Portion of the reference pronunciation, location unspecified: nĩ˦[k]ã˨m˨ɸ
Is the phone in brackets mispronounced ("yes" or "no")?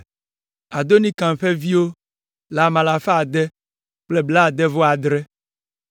no